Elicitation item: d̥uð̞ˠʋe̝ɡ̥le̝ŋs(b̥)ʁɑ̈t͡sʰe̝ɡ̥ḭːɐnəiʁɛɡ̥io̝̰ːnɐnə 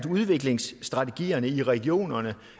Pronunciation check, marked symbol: incorrect: d̥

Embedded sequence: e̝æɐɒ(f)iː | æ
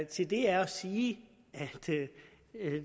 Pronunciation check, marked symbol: incorrect: s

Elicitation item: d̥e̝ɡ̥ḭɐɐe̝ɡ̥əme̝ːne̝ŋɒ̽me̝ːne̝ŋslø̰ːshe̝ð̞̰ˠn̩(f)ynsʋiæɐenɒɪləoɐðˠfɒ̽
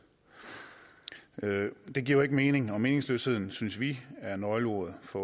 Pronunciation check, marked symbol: incorrect: s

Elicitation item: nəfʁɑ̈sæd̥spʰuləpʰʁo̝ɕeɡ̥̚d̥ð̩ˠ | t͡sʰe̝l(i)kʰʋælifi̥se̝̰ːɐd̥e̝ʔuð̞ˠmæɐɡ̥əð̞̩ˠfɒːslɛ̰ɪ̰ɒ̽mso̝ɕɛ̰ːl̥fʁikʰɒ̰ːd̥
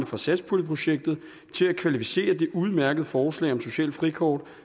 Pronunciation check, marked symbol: incorrect: æ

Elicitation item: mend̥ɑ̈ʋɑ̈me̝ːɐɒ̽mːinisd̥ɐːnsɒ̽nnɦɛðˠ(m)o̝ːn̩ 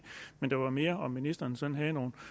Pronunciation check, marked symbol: incorrect: n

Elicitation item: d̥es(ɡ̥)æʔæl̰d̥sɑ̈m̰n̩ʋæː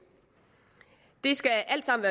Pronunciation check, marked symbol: correct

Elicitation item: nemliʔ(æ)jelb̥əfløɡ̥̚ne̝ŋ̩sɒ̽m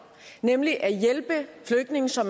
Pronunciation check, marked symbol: correct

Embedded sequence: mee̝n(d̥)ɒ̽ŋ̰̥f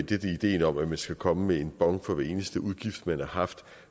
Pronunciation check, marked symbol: incorrect: b̥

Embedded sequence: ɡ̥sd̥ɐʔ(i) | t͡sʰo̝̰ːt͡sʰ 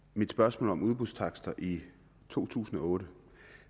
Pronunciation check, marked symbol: correct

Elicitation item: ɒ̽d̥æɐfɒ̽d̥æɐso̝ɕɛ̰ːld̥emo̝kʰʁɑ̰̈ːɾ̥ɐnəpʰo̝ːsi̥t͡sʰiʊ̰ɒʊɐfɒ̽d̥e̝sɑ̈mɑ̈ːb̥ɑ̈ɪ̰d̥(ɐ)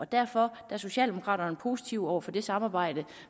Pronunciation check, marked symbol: incorrect: ə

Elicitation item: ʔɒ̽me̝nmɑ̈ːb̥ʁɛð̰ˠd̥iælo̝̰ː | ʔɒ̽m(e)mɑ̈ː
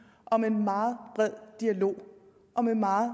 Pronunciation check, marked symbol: correct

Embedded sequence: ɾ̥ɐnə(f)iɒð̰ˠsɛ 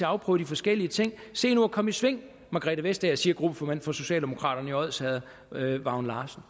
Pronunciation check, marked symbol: incorrect: none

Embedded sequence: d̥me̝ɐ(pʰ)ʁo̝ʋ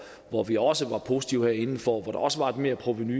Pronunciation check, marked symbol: correct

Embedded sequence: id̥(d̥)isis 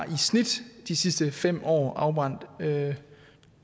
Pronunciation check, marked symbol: correct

